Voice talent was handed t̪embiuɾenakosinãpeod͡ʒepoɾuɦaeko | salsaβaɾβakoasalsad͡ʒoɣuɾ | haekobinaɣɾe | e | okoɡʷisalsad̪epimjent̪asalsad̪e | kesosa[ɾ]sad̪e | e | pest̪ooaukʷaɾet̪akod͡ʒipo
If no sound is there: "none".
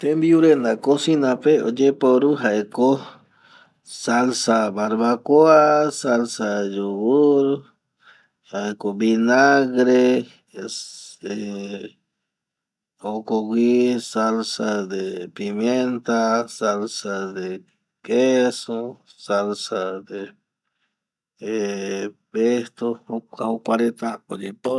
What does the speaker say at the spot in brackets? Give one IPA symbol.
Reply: l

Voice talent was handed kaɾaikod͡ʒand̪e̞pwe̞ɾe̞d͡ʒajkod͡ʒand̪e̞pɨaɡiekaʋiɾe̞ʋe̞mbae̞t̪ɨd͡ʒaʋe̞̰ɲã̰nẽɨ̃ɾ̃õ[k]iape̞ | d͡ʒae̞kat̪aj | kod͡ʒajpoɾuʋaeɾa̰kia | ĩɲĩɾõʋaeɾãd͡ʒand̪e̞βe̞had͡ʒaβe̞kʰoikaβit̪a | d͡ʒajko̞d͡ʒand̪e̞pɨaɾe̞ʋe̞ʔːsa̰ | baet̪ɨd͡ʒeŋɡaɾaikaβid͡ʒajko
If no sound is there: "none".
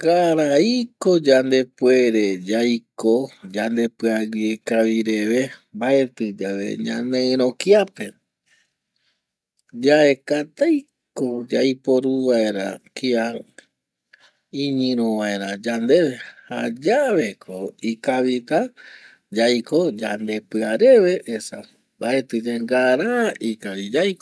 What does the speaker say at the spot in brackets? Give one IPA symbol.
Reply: k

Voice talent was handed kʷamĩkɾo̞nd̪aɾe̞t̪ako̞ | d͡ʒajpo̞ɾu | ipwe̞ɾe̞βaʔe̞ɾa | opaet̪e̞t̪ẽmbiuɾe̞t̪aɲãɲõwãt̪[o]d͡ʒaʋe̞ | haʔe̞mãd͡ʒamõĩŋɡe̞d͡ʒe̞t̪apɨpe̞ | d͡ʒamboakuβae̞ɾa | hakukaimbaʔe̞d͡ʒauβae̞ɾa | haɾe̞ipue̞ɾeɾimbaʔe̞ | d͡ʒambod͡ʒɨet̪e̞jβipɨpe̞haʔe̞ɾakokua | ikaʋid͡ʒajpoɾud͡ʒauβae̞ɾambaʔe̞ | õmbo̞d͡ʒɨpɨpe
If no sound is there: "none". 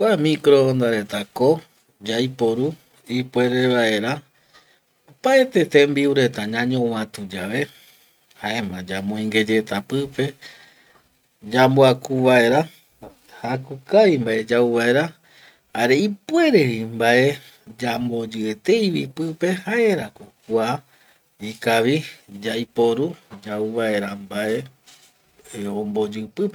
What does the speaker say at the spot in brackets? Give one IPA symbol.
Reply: u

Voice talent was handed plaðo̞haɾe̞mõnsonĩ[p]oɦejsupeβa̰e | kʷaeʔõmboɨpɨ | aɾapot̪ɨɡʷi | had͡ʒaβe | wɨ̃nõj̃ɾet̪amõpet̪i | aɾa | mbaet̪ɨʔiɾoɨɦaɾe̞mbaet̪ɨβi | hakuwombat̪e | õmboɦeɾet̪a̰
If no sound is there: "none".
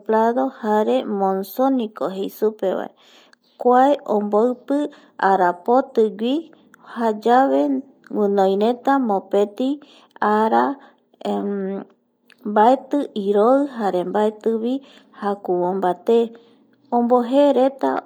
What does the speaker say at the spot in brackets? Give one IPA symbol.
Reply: k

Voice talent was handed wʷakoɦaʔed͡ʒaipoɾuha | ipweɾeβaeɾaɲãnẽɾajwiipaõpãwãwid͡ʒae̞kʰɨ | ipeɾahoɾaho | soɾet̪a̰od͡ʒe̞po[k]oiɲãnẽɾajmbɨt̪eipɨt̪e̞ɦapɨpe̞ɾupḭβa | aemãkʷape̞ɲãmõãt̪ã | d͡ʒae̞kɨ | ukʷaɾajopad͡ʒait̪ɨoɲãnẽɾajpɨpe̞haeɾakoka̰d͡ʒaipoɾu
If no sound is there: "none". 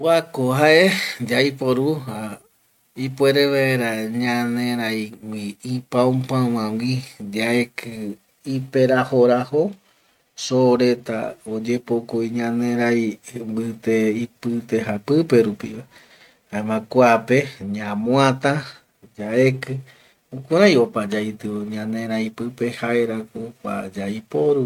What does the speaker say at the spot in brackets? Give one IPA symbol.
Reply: k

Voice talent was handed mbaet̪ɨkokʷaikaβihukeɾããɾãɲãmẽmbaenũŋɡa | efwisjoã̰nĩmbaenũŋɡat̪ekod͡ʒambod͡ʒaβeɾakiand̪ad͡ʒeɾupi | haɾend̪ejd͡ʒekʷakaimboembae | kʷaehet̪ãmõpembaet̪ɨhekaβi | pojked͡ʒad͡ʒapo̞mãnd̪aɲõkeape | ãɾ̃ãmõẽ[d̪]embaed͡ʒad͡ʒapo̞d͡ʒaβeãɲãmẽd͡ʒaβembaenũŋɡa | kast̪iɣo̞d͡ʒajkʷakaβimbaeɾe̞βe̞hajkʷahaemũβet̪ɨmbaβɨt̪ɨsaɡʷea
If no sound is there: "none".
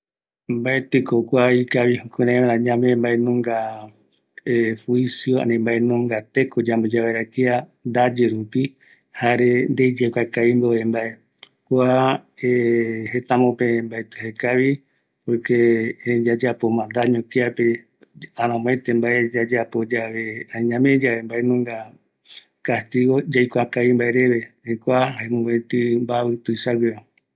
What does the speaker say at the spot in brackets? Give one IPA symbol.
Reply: t̪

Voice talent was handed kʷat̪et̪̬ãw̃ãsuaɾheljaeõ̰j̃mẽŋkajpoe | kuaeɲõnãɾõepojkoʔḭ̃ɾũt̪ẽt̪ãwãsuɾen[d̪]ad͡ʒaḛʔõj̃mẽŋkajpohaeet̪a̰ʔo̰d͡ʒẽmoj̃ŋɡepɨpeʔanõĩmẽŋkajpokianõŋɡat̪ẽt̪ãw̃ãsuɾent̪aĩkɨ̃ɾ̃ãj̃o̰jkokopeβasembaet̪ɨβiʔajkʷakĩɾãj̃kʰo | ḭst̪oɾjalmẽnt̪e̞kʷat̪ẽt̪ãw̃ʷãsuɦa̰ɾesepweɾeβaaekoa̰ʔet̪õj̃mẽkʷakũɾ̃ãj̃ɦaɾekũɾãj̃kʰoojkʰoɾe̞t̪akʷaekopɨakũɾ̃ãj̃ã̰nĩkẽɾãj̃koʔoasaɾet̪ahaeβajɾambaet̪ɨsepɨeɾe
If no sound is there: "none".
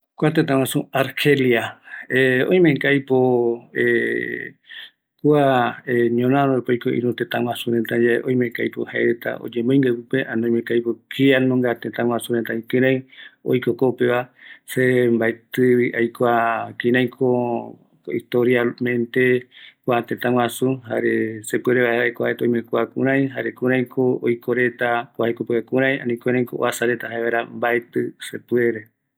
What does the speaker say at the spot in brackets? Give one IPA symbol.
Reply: t̪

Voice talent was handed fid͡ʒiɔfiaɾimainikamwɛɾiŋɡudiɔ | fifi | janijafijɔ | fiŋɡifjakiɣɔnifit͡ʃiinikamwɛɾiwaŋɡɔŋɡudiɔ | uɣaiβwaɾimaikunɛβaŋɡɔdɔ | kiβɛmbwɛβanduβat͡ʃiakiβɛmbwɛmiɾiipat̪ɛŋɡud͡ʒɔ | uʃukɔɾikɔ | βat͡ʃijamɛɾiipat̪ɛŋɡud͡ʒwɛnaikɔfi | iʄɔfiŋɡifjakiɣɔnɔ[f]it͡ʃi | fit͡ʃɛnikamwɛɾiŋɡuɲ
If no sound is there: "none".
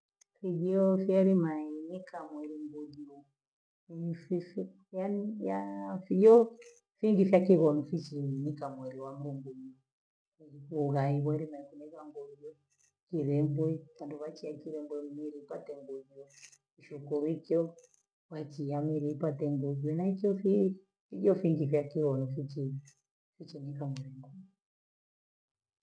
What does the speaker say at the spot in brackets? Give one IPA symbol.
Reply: f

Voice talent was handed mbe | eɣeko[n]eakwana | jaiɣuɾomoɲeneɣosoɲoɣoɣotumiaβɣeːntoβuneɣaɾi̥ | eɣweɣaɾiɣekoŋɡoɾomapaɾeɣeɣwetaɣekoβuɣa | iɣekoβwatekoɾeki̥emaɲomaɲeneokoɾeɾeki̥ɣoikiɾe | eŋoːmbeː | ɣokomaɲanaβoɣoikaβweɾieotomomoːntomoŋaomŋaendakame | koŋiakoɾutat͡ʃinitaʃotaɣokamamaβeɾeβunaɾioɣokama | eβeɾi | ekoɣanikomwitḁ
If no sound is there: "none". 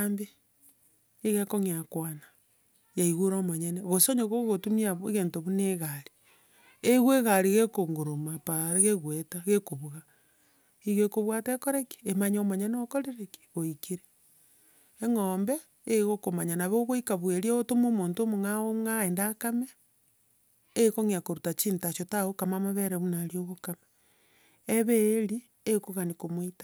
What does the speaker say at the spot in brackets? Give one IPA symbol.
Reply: ŋ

